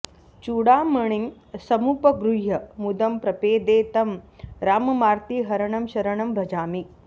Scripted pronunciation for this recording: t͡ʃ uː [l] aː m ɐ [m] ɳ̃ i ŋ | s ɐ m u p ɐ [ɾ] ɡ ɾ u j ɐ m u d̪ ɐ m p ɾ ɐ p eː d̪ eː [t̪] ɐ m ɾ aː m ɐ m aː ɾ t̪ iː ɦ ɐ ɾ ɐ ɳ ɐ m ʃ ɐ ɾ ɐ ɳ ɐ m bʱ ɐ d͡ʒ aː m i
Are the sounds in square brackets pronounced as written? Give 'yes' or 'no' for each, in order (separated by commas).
no, no, no, yes